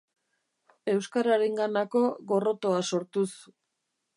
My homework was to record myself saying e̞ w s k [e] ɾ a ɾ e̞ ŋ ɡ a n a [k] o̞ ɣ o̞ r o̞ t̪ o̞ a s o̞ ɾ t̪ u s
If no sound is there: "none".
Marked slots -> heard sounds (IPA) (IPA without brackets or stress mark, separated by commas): a, k